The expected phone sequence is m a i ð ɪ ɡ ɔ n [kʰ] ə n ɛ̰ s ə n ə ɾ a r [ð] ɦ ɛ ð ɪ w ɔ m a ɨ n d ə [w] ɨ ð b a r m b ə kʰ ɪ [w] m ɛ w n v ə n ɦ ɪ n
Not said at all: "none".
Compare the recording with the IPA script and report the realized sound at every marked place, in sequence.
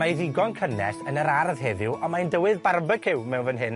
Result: kʰ, ð, w, w

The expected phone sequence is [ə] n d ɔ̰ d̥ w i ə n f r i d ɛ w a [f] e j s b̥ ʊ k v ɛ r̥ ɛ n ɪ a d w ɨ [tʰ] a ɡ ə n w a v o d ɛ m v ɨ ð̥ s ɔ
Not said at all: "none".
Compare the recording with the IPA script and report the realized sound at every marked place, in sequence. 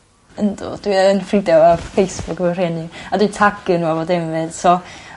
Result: ə, f, tʰ

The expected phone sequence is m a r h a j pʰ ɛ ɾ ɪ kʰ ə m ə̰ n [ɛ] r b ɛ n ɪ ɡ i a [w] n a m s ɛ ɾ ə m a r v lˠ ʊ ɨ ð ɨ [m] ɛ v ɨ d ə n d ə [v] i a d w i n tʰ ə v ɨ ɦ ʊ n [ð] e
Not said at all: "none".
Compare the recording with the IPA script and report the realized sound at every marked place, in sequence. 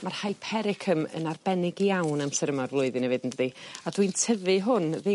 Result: a, w, n, ð, ð

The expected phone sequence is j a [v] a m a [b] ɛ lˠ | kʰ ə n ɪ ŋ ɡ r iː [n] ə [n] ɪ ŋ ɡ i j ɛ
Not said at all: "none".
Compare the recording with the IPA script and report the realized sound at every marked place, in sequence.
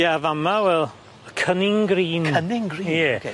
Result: v, w, n, n

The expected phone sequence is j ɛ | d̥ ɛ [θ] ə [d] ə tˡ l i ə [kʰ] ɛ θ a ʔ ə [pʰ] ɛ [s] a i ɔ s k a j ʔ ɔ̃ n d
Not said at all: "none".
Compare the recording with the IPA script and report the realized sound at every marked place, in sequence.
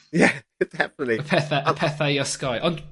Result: f, n, pʰ, pʰ, θ

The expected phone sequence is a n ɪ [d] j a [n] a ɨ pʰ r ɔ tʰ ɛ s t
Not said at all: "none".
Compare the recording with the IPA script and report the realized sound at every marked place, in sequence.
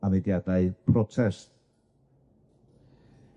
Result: d, d

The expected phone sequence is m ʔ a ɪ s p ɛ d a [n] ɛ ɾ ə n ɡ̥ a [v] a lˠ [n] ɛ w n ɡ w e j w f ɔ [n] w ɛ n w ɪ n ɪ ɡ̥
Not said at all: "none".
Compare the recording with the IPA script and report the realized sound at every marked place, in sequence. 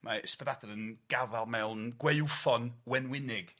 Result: d, v, m, n

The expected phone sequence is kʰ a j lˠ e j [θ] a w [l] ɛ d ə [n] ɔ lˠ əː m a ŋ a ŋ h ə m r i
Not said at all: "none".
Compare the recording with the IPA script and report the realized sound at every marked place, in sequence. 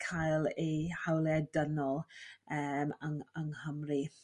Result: h, l, n

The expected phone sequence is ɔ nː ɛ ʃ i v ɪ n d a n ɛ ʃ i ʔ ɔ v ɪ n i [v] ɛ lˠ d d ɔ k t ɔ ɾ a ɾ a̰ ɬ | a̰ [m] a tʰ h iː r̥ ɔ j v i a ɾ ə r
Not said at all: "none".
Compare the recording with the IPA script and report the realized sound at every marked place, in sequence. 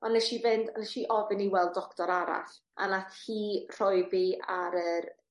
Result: w, n

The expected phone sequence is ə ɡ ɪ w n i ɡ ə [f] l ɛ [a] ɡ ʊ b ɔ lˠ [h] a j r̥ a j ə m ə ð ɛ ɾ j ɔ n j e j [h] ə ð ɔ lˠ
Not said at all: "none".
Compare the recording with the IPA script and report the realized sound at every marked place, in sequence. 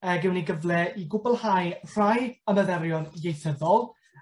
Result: v, i, h, θ

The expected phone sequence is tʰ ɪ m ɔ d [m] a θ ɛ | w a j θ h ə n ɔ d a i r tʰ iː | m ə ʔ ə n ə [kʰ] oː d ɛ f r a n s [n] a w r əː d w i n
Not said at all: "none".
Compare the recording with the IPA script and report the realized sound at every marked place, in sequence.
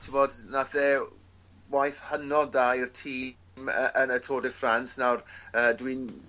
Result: n, tʰ, n

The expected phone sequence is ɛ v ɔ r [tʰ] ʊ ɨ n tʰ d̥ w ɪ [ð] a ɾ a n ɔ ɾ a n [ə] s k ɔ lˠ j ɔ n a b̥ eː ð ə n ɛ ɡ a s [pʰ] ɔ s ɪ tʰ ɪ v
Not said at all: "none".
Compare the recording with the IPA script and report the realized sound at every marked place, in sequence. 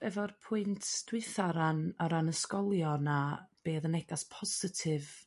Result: pʰ, θ, ə, pʰ

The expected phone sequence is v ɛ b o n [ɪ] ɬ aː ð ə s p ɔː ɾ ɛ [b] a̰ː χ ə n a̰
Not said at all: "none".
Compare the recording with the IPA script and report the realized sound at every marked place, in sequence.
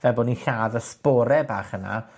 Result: i, b

